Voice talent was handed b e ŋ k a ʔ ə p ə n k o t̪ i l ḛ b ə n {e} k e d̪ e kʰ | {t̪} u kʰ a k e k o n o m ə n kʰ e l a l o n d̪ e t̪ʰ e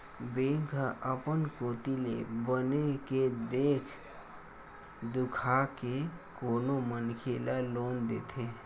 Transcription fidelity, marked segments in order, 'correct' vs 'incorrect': correct, incorrect: d̪

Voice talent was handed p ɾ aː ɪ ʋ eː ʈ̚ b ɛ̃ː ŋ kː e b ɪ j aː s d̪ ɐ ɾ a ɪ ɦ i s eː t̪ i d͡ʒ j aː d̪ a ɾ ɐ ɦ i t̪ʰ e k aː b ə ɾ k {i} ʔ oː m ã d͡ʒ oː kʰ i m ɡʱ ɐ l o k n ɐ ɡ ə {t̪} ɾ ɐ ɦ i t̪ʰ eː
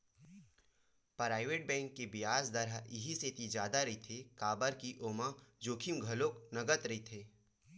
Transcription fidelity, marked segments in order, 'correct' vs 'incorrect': correct, correct

